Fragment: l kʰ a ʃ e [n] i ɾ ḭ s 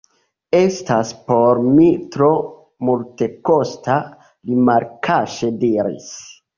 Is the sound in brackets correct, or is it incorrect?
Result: incorrect